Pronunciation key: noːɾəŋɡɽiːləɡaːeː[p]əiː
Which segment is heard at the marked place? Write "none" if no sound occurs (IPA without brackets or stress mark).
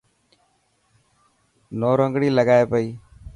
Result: p